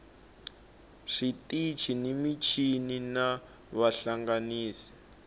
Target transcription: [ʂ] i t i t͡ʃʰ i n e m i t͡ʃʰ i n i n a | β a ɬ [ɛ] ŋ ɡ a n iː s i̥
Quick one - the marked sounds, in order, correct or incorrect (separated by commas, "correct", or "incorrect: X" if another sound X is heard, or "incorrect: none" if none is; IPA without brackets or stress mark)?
correct, incorrect: a